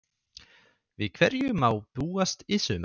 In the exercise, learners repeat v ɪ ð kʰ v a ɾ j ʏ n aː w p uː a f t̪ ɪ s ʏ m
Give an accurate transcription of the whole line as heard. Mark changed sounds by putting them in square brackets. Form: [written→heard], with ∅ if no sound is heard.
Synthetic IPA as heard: v ɪ ð kʰ v [a→ɛ] ɾ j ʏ [n→m] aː w p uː a [f→s] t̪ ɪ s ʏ m